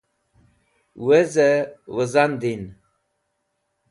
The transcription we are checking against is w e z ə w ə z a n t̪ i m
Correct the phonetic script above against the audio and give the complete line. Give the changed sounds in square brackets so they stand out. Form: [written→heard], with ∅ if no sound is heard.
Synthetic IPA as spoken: w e z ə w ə z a n [t̪→d̪] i [m→n]